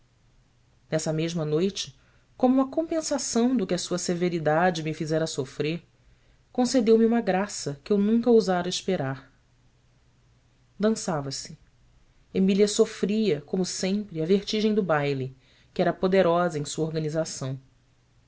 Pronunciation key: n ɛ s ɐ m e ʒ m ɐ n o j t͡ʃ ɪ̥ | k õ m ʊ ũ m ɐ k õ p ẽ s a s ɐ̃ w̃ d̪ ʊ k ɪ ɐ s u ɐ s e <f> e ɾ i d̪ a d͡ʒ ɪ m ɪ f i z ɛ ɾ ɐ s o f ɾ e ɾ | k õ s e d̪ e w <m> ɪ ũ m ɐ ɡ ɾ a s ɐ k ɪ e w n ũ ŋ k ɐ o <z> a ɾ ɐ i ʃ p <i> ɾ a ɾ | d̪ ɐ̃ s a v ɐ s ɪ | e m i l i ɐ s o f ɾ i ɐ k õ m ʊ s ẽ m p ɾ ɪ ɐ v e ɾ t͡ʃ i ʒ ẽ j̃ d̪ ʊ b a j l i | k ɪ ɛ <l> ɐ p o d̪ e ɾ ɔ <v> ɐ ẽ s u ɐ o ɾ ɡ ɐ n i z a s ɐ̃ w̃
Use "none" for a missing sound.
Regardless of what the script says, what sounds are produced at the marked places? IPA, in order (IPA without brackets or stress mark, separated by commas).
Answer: v, m, z, e, ɾ, z